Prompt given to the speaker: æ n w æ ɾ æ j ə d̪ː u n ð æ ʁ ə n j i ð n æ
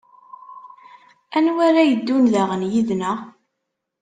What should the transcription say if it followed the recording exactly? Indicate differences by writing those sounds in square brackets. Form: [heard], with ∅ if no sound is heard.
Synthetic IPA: æ n w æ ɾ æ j ə d̪ː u n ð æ ʁ ə n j i ð n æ